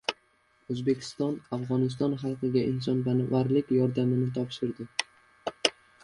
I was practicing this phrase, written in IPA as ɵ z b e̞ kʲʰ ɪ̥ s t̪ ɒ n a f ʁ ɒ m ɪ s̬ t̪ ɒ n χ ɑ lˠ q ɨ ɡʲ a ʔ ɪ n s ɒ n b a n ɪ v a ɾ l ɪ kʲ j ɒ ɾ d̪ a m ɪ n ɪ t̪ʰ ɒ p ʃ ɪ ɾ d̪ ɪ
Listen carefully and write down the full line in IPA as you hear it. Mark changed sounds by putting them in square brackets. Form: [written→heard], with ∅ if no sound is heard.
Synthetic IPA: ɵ z b e̞ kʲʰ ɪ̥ s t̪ ɒ n a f ʁ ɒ [m→n] ɪ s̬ t̪ ɒ n χ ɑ lˠ q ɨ ɡʲ a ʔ ɪ n s ɒ n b a n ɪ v a ɾ l ɪ kʲ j ɒ ɾ d̪ a m ɪ n ɪ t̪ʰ ɒ p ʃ ɪ ɾ d̪ ɪ